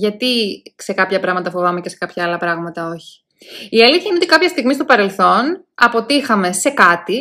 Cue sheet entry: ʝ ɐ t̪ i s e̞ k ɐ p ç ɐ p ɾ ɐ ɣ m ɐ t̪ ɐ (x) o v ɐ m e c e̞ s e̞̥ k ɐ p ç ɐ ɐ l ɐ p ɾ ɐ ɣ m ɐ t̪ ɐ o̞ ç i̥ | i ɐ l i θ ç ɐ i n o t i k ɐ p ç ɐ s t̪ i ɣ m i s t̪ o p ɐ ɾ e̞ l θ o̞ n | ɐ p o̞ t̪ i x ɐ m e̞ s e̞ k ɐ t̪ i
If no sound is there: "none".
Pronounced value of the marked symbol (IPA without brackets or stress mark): f